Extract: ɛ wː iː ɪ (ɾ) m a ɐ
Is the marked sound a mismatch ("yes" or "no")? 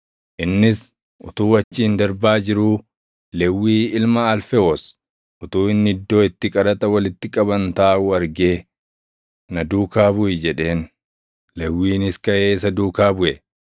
yes